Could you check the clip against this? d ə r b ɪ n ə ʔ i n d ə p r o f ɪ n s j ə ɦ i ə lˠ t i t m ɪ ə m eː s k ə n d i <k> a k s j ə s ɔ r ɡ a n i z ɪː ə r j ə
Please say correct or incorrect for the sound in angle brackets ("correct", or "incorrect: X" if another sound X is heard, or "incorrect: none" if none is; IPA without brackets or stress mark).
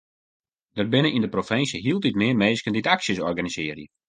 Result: incorrect: t